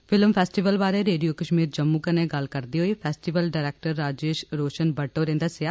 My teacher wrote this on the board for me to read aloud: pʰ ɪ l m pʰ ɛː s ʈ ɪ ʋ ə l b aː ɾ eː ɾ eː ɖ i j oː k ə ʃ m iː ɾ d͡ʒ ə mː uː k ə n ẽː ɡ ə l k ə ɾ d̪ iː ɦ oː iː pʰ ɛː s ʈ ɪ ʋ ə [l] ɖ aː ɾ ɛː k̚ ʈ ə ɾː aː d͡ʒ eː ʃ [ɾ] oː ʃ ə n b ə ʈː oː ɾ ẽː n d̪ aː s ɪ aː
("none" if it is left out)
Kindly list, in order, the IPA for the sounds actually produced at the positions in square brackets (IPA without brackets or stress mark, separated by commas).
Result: l, ɾ